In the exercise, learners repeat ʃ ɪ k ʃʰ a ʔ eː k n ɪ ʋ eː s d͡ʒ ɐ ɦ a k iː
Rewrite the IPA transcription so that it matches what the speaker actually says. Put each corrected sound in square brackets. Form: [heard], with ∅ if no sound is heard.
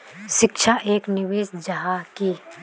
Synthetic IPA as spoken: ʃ ɪ k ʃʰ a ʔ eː k n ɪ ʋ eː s d͡ʒ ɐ ɦ a k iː